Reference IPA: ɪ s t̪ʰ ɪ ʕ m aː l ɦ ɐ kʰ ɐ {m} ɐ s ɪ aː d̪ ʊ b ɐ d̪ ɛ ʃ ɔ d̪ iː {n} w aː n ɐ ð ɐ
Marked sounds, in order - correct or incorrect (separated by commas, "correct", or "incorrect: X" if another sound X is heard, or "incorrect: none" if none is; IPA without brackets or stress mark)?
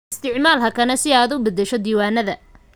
incorrect: n, incorrect: none